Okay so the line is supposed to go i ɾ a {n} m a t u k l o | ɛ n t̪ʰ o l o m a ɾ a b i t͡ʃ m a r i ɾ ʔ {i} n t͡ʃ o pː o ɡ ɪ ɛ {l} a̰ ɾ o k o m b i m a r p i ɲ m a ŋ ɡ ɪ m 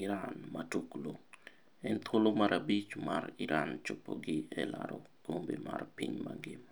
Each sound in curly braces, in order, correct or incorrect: correct, incorrect: a, correct

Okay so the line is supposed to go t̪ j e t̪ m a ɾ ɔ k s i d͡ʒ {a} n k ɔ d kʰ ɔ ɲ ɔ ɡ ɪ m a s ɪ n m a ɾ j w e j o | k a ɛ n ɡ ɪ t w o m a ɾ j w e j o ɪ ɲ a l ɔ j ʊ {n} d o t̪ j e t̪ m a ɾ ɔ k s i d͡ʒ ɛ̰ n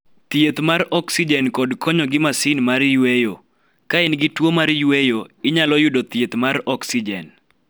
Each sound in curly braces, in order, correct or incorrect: incorrect: ɛ, incorrect: none

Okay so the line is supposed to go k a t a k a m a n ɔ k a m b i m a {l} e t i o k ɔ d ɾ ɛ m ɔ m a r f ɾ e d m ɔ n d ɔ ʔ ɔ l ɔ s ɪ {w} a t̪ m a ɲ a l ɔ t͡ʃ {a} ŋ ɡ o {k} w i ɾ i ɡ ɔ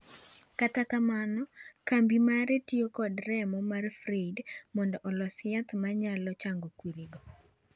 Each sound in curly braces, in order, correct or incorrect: incorrect: ɾ, incorrect: none, correct, correct

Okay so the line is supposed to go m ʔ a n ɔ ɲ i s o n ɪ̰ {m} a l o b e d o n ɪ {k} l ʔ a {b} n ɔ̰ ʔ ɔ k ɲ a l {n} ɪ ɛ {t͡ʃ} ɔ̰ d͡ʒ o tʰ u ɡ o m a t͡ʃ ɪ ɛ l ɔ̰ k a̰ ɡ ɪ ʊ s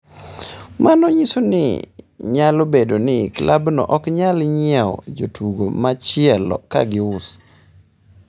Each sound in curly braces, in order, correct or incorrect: incorrect: ɲ, correct, correct, incorrect: ɲ, incorrect: none

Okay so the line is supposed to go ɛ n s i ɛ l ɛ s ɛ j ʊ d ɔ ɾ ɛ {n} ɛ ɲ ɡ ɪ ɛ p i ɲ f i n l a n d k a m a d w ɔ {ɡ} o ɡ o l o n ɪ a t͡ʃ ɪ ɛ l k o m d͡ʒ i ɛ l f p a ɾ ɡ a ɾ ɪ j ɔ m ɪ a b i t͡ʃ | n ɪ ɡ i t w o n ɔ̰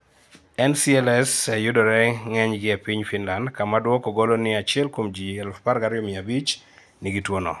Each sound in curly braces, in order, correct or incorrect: incorrect: ŋ, incorrect: k

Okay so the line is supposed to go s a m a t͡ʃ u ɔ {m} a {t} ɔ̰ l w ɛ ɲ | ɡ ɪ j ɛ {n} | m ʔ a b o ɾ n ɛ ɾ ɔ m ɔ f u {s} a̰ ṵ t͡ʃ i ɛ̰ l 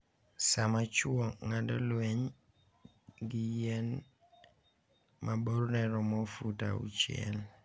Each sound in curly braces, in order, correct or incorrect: incorrect: ŋ, incorrect: d, correct, incorrect: t

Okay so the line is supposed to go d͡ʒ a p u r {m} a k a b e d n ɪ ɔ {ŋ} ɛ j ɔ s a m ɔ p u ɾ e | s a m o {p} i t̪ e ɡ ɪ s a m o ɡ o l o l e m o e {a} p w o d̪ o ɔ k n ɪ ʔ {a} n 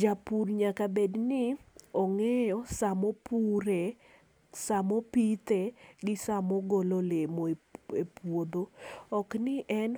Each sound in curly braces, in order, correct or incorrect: incorrect: ɲ, correct, correct, incorrect: e, incorrect: ɛ

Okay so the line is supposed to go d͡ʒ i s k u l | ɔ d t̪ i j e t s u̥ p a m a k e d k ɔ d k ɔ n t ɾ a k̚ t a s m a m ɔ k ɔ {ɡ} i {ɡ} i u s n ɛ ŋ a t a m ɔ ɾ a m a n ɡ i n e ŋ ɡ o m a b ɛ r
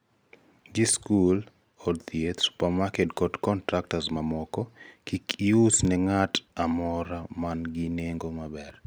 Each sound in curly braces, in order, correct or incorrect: incorrect: k, incorrect: k

